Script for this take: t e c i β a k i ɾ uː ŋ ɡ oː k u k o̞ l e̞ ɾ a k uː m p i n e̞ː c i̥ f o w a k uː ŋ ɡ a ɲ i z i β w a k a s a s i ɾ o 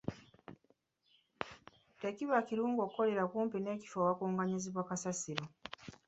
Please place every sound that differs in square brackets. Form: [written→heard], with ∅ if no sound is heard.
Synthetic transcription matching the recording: t e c i β a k i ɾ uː ŋ ɡ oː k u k o̞ l e̞ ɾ a k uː m p i n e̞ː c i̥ f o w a k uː ŋ ɡ a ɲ i z i β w a k a s a s i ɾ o